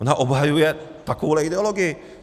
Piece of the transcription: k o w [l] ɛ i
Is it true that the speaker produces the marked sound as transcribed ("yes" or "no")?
yes